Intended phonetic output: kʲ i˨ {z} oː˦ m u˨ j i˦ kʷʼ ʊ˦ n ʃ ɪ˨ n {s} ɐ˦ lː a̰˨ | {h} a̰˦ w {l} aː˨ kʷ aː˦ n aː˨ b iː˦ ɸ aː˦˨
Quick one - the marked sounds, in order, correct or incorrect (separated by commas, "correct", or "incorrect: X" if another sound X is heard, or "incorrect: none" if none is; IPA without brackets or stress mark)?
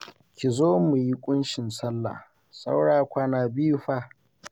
correct, correct, incorrect: s, incorrect: ɽ